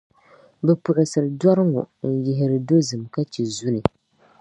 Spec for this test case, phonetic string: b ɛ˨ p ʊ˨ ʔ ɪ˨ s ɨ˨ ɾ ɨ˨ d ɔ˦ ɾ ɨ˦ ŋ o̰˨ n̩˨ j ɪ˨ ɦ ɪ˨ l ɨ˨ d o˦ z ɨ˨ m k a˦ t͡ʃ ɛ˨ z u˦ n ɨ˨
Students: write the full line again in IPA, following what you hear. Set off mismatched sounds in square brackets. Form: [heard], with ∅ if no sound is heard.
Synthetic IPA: b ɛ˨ p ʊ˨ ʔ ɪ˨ s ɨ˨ ɾ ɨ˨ d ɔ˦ ɾ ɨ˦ ŋ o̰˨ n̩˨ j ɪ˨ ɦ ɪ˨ [ɾ] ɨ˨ d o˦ z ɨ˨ m k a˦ t͡ʃ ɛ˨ z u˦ n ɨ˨